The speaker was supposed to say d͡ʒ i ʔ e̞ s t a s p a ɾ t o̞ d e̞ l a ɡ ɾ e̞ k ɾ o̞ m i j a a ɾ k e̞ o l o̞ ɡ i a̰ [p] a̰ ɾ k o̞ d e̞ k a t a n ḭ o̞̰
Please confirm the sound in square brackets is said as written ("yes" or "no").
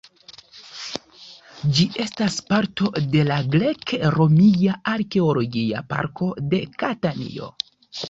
yes